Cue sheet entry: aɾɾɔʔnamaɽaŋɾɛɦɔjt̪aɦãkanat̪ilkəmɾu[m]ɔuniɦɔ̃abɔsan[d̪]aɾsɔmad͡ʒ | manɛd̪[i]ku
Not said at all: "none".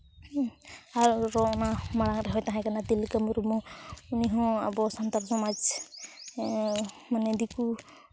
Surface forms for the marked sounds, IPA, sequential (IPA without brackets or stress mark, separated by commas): m, t̪, i